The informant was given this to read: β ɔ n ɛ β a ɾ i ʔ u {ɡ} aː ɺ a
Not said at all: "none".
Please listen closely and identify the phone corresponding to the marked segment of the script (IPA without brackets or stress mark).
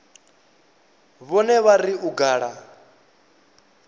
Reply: ɡ